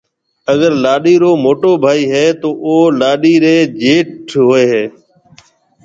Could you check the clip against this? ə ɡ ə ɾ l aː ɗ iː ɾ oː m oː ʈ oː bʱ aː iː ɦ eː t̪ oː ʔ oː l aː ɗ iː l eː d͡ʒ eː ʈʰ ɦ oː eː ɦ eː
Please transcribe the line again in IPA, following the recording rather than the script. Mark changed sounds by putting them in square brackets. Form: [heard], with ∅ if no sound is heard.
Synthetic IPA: ə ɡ ə ɾ l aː ɗ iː ɾ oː m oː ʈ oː bʱ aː iː ɦ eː t̪ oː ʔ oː l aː ɗ iː [ɾ] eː d͡ʒ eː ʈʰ ɦ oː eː ɦ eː